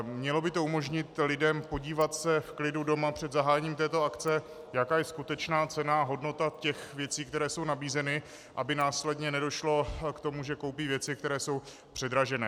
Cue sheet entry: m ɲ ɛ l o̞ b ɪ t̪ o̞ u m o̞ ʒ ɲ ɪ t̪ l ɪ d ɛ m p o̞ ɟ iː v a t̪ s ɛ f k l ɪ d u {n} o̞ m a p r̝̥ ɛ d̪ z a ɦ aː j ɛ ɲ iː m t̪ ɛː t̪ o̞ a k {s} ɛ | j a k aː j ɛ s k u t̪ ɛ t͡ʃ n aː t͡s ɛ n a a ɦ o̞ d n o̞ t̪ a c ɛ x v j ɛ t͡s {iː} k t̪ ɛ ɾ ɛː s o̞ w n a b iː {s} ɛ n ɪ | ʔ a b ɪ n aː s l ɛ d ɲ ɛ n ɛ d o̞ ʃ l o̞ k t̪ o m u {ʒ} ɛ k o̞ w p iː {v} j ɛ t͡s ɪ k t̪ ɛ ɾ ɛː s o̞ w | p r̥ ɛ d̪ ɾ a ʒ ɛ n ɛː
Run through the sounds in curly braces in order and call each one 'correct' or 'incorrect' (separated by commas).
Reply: incorrect, incorrect, correct, incorrect, correct, correct